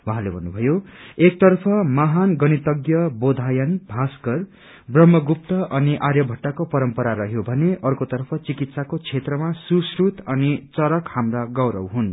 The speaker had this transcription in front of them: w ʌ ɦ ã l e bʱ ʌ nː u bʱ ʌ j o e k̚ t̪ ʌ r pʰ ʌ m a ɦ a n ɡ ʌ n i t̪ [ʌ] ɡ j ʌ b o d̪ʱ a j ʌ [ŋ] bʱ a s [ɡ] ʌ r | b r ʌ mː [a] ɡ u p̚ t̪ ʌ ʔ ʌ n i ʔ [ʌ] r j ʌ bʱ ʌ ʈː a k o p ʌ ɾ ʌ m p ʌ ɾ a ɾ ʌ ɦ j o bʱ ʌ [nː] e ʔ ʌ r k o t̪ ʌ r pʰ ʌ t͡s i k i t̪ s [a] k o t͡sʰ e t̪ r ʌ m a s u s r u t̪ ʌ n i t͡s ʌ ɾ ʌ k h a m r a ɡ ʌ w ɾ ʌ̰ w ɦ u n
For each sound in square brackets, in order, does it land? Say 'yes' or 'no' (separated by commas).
yes, no, no, no, no, no, yes